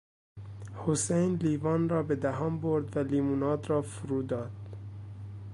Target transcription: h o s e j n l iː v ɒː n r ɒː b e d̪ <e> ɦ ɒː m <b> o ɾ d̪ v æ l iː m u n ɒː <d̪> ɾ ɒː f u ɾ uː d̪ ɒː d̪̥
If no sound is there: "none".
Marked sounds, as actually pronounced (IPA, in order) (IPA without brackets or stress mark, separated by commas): æ, b, d̪